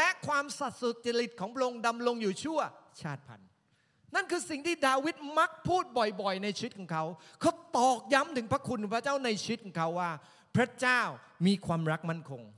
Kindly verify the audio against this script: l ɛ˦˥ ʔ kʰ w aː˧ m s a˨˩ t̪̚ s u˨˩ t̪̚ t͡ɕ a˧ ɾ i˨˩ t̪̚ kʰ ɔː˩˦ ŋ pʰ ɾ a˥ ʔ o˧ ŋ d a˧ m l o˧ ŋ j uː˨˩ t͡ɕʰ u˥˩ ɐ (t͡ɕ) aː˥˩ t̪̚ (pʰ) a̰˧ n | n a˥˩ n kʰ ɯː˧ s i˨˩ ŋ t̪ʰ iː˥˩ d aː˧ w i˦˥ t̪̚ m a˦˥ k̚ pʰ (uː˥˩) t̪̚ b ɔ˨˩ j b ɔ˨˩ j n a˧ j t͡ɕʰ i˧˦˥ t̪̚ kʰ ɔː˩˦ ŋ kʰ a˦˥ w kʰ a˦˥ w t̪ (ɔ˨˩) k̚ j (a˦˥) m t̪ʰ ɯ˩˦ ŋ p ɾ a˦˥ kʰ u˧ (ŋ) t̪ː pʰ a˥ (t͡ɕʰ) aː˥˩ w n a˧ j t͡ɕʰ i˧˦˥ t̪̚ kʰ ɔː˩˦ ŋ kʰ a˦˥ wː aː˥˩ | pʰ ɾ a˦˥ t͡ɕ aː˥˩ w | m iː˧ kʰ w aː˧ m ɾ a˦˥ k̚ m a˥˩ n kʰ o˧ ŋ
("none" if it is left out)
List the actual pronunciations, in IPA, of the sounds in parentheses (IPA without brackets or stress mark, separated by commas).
t͡ɕʰ, pʰ, uː˥˩, ɔː˨˩, a˦˥, n, t͡ɕ